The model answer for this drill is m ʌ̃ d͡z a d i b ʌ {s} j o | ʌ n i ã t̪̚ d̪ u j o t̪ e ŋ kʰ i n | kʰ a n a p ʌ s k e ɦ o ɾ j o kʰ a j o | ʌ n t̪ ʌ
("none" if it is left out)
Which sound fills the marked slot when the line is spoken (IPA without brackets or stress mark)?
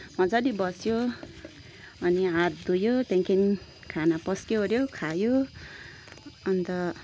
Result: s